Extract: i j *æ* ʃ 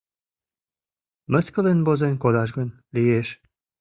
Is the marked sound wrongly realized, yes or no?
yes